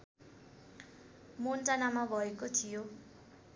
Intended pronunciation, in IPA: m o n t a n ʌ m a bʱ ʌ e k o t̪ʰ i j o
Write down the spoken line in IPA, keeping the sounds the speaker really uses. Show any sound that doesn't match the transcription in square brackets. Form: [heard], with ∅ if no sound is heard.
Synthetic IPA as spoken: m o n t a n [a] m a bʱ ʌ e k o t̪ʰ i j o